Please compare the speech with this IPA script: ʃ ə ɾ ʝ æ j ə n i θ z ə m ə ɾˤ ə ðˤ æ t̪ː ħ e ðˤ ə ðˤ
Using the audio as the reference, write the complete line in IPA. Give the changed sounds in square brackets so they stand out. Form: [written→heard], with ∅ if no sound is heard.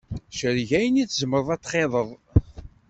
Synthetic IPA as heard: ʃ ə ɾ ʝ æ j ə n i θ z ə m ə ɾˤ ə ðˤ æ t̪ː [ħ→χ] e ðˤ ə ðˤ